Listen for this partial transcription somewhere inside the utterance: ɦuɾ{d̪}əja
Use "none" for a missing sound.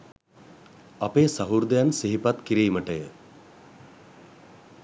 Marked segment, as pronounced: d̪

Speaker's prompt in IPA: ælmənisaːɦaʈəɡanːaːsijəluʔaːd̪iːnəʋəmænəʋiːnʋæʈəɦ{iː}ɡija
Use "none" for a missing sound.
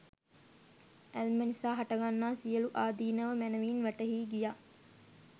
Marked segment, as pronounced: iː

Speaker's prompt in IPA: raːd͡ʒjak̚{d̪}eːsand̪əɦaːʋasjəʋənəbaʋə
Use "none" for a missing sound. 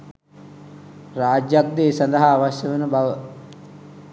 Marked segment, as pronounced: d̪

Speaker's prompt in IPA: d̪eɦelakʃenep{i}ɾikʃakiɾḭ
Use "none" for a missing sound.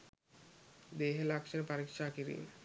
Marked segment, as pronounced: a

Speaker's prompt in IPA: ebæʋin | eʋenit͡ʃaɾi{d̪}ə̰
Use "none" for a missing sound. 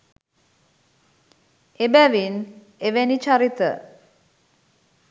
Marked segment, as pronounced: t̪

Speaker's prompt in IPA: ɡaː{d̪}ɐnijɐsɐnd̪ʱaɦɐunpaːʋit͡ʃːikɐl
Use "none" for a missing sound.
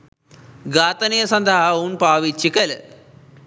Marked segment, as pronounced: t̪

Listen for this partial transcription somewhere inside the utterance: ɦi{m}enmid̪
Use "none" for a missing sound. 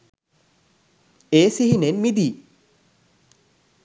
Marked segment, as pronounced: n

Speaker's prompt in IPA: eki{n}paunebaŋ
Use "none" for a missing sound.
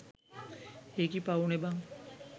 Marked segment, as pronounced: none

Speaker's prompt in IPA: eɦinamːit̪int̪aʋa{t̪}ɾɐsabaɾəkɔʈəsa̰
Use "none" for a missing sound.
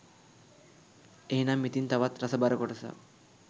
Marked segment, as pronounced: t̪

